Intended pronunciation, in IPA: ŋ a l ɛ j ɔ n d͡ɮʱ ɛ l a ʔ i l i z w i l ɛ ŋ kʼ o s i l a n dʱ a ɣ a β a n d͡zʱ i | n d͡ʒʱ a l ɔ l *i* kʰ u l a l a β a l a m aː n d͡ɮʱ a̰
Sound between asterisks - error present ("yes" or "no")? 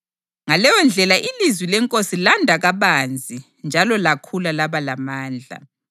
yes